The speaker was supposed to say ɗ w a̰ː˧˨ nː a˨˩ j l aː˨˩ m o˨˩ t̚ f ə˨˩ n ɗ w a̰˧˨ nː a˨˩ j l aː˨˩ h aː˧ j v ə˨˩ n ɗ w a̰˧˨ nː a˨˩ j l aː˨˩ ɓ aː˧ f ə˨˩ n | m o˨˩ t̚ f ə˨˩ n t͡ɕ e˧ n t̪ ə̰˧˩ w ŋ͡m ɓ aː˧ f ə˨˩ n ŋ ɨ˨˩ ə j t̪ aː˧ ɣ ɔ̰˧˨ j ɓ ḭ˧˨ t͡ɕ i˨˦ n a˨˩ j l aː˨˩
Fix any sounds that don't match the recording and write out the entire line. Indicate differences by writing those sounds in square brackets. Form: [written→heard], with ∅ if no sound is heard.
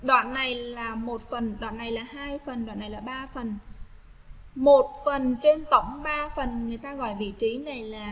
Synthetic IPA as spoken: ɗ w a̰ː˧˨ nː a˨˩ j l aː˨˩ m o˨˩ t̚ f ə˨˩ n ɗ w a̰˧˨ nː a˨˩ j l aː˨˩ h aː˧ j [v→f] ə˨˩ n ɗ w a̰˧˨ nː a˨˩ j l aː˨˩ ɓ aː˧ f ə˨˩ n | m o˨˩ t̚ f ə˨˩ n t͡ɕ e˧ n t̪ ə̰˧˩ w ŋ͡m ɓ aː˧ f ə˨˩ n ŋ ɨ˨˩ ə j t̪ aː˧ ɣ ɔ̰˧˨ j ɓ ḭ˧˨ t͡ɕ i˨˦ n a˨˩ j l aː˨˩